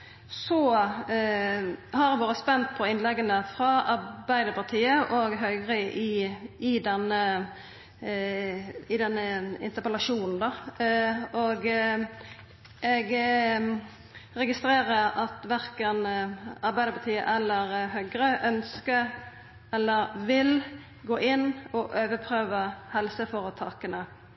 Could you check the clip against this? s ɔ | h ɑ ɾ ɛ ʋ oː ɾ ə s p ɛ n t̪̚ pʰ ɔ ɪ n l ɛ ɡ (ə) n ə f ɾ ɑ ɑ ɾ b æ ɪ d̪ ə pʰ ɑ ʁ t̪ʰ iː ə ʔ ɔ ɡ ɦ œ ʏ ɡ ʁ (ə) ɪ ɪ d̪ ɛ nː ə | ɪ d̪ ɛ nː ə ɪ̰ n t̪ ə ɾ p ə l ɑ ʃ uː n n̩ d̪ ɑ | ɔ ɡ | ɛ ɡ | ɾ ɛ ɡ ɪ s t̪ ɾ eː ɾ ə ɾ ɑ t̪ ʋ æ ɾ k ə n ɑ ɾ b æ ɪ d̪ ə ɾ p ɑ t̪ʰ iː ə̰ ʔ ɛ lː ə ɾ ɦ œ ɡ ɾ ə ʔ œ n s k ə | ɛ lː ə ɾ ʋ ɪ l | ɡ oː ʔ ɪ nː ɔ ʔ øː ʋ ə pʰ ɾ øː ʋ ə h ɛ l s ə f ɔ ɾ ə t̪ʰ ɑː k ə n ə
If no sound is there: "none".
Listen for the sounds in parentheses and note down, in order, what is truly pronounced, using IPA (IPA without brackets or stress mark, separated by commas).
ə, ə